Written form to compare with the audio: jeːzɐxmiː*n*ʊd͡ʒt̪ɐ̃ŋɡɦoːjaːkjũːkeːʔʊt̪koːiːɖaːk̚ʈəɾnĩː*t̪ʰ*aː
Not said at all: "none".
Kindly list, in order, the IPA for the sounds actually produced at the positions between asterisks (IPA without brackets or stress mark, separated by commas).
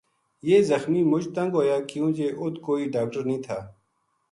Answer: m, t̪ʰ